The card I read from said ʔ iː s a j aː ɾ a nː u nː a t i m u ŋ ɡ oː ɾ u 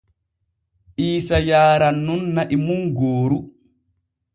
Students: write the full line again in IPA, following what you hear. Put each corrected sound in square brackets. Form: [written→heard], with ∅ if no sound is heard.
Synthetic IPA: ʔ iː s a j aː ɾ a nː u nː a [t→ʔ] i m u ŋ ɡ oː ɾ u